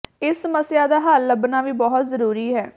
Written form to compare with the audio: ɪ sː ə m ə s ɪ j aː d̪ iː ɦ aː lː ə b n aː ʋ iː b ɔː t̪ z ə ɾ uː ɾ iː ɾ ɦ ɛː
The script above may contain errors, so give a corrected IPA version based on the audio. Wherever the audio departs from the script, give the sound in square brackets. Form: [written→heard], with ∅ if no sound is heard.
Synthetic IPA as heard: ɪ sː ə m ə s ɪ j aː d̪ [iː→aː] ɦ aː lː ə b n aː ʋ iː b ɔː t̪ z ə ɾ uː ɾ iː [ɾ→∅] ɦ ɛː